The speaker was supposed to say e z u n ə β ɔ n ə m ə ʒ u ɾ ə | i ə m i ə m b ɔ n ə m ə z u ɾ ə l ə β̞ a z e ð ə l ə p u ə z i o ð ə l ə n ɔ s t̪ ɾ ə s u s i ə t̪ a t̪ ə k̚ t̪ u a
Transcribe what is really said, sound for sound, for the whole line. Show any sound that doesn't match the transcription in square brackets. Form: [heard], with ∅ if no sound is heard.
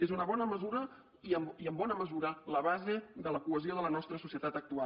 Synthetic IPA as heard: e z u n ə β ɔ n ə m ə [z] u ɾ ə | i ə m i ə m b ɔ n ə m ə z u ɾ ə l ə β̞ a z e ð ə l ə [k] u ə z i o ð ə l ə n ɔ s t̪ ɾ ə s u s i ə t̪ a t̪ ə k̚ t̪ u a

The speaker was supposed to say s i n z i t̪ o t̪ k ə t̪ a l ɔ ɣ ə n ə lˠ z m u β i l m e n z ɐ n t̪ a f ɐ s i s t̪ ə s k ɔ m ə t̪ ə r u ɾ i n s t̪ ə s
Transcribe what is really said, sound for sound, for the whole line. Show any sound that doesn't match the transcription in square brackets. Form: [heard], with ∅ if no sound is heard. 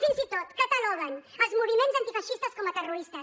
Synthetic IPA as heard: [f] i n z i t̪ o t̪ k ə t̪ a l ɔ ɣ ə n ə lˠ z m u β i [∅] m e n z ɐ n t̪ [i] f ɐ [ʃ] i s t̪ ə s k ɔ m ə t̪ ə r u ɾ i [∅] s t̪ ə s

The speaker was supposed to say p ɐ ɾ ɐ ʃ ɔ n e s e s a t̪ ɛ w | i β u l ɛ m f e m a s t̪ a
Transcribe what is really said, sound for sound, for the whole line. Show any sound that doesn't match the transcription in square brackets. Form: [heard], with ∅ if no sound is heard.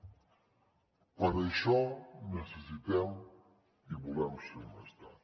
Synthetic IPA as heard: p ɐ ɾ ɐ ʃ ɔ n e s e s [i] t̪ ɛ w | i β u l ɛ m [s] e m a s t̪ a

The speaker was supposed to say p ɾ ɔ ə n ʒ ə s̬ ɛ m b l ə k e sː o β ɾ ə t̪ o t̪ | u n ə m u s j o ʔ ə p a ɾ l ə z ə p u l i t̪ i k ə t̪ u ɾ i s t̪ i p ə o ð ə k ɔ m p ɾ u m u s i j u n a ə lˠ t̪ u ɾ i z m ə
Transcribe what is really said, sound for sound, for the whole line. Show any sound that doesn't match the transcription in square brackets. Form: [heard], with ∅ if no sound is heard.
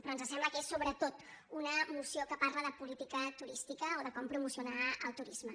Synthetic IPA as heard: p ɾ ɔ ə n [z] ə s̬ ɛ m b l ə k e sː o β ɾ ə t̪ o t̪ | u n ə m u s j o [k] ə p a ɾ l ə [ð] ə p u l i t̪ i k ə t̪ u ɾ i s t̪ i [k] ə o ð ə k ɔ m p ɾ u m u s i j u n a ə lˠ t̪ u ɾ i z m ə

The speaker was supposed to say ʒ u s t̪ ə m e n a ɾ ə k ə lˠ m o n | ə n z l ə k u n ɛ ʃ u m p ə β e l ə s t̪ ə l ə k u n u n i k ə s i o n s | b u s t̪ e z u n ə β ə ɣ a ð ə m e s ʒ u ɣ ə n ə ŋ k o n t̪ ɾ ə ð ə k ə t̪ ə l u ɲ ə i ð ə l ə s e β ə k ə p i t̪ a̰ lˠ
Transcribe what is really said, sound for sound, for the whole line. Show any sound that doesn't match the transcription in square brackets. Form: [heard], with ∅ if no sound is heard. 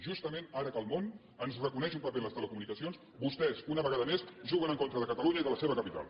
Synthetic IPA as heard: ʒ u s t̪ ə m e n a ɾ ə k ə lˠ m o n | ə n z [r] ə k u n ɛ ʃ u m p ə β e l ə s t̪ ə l ə k u [m] u n i k ə s i o n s | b u s t̪ [ɛ] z u n ə β ə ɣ a ð ə m e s ʒ u ɣ ə n ə ŋ k o n t̪ ɾ ə ð ə k ə t̪ ə l u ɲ ə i ð ə l ə s e β ə k ə p i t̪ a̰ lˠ

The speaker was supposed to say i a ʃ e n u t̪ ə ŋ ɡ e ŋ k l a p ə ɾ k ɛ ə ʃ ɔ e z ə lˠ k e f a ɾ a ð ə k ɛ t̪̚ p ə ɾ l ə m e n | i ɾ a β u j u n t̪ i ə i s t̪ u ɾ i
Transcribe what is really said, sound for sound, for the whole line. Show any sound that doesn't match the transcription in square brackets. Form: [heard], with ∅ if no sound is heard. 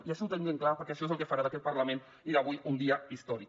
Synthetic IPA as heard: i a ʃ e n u t̪ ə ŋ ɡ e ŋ k l a p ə ɾ k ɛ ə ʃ ɔ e z ə lˠ k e f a ɾ a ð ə k ɛ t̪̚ p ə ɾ l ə m e n | i ɾ a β u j u n [d̪] i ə i s t̪ [ɔ] ɾ i

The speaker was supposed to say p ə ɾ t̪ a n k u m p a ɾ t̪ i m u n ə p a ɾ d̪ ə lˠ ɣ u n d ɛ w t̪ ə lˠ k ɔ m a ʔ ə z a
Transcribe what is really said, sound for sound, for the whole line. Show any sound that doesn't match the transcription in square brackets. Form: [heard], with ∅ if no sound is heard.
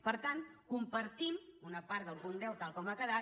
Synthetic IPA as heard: p ə ɾ t̪ a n k u m p [ə] ɾ t̪ i m u n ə p a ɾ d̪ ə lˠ ɣ u n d ɛ w t̪ [a] lˠ k ɔ m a [k] ə [ð] a

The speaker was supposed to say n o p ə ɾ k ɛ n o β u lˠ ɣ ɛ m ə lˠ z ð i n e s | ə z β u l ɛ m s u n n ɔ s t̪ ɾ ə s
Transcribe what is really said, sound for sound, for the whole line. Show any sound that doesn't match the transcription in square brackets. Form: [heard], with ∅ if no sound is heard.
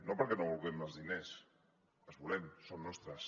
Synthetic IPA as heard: n o p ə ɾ k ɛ n o β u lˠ ɣ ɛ m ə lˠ z ð i n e s | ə z β u l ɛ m s [o] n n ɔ s t̪ ɾ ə s

